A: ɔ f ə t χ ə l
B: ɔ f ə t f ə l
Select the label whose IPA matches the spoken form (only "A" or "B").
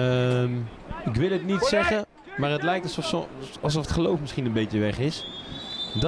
A